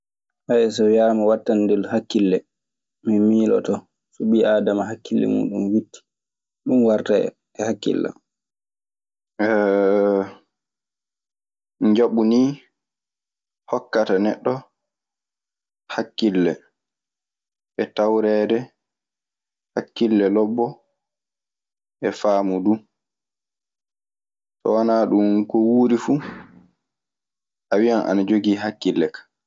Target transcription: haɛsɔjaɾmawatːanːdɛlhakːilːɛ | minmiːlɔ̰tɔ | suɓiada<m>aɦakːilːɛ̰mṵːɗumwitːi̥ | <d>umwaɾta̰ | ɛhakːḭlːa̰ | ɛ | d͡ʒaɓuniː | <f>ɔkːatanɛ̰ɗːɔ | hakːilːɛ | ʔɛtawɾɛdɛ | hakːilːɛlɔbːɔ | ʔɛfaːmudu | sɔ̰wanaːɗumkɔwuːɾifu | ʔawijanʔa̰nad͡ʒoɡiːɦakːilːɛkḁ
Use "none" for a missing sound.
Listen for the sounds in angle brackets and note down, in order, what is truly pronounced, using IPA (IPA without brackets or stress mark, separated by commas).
m, ɗ, h